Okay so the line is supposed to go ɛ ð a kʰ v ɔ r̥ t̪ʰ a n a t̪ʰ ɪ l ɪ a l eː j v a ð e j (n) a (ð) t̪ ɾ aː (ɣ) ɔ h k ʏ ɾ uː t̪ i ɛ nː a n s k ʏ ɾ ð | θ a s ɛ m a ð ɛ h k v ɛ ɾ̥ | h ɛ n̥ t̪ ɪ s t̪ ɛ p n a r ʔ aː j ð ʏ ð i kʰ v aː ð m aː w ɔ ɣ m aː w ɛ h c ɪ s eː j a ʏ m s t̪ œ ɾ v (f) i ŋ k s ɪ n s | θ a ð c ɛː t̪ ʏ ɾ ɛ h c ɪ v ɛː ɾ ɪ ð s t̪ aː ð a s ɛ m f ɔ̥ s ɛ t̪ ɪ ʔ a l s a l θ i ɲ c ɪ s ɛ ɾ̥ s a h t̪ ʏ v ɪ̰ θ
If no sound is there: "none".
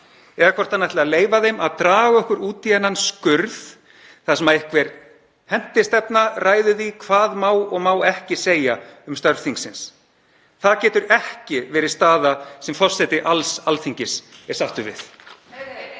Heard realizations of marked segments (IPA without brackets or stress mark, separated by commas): m, ð, ɣ, θ